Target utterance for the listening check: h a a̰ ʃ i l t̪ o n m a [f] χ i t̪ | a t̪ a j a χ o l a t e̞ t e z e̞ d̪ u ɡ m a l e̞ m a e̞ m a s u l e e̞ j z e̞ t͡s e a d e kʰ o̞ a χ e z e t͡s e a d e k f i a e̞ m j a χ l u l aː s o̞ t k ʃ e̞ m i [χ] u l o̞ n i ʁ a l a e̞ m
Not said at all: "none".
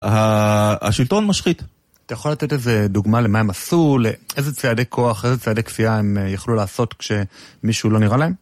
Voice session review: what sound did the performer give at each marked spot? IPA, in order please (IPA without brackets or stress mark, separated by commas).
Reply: ʃ, ʃ